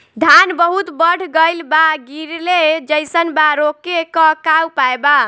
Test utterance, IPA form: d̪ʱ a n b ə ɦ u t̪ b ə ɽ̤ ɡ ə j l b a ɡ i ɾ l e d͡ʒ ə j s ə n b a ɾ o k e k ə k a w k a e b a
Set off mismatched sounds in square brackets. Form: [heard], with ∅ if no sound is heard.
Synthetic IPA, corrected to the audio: d̪ʱ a n b ə ɦ u t̪ b ə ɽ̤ ɡ ə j l b a ɡ i ɾ l e d͡ʒ ə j s ə n b a ɾ o k e k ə k a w [p] a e b a

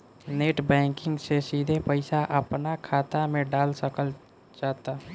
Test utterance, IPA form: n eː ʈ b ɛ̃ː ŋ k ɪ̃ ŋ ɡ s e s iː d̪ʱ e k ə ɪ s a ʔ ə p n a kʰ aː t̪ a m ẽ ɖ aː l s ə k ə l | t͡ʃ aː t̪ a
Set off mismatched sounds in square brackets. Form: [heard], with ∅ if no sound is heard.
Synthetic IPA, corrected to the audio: n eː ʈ b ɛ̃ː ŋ k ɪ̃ ŋ ɡ s e s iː d̪ʱ e [p] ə ɪ s a ʔ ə p n a kʰ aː t̪ a m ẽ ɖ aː l s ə k ə l | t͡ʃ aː t̪ a

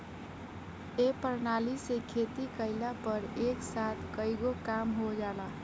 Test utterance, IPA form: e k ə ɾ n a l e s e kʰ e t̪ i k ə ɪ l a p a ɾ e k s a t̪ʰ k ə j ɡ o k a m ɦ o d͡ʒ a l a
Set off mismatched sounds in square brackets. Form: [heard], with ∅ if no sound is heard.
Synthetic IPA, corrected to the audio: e [p] ə ɾ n a l [i] s e kʰ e t̪ i k ə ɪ l a p [ə] ɾ e k s a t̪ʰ k ə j ɡ o k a m ɦ o d͡ʒ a l a

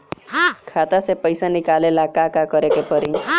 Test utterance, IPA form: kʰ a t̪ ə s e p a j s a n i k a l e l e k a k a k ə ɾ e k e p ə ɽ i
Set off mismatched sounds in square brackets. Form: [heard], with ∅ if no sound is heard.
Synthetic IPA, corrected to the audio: kʰ a t̪ [a] s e p [ə] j s a n i k a l e l [a] k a k a k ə ɾ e k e p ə [ɾ] i

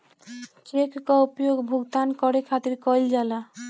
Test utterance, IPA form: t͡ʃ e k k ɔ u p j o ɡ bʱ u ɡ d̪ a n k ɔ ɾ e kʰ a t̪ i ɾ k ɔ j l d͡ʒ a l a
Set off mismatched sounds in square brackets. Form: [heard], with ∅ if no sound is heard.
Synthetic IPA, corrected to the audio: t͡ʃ e k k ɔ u p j o ɡ bʱ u ɡ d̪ a n k ɔ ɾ e kʰ a t̪ i ɾ k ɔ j l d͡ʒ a l a

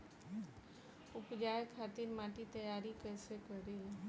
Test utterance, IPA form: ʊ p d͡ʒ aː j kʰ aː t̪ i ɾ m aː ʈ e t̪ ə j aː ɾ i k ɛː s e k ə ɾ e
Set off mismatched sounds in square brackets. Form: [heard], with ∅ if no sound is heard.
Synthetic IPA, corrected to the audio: ʊ p d͡ʒ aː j kʰ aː t̪ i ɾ m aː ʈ [i] t̪ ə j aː ɾ i k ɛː s e k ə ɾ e

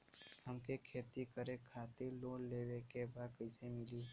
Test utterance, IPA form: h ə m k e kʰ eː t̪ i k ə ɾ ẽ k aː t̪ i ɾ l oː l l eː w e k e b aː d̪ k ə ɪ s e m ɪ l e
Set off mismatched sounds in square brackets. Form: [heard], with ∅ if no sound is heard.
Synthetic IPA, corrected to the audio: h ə m k e kʰ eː t̪ i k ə ɾ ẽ [kʰ] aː t̪ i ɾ l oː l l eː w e k e b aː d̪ k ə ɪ s e m ɪ l [i]

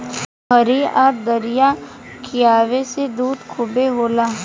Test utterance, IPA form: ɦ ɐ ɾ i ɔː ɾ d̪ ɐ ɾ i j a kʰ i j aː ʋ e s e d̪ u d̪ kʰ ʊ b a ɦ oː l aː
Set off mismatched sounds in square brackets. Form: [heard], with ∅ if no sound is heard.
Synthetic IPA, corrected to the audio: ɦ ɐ ɾ i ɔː ɾ d̪ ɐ ɾ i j a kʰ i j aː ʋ e s e d̪ [uː] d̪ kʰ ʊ b [e] ɦ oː l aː

